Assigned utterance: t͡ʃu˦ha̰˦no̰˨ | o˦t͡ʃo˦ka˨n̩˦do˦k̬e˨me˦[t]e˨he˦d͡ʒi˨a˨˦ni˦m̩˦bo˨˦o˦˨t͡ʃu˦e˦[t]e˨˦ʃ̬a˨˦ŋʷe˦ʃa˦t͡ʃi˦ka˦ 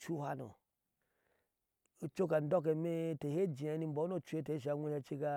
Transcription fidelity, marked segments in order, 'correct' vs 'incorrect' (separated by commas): correct, correct